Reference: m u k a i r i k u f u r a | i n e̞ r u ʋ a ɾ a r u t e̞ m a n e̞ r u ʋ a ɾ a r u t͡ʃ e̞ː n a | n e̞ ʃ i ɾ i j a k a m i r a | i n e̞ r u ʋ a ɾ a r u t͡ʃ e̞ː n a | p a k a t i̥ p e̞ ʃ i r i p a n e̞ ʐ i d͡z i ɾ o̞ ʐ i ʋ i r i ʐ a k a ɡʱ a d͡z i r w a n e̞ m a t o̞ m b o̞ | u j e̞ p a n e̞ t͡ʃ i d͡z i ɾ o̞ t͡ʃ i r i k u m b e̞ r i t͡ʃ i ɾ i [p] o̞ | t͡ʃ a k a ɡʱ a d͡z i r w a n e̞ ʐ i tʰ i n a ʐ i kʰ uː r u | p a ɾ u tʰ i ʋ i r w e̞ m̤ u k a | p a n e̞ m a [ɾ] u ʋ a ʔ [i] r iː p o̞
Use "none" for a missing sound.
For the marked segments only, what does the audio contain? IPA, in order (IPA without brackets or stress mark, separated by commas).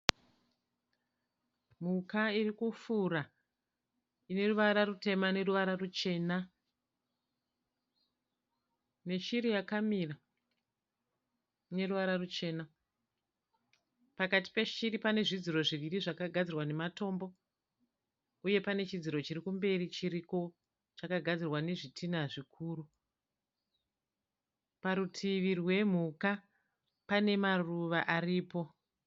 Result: k, r, a